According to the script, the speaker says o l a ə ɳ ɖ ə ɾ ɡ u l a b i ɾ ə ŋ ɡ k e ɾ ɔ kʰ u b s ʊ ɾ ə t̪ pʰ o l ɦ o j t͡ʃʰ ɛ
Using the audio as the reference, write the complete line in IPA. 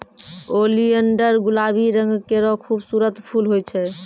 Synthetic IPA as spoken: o l i ə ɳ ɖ ə ɾ ɡ u l a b i ɾ ə ŋ ɡ k e ɾ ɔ kʰ u b s u ɾ ə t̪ pʰ u l ɦ o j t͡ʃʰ ɛ